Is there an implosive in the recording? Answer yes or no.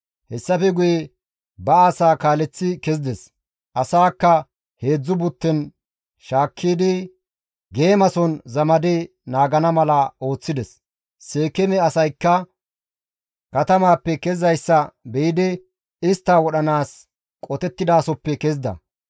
yes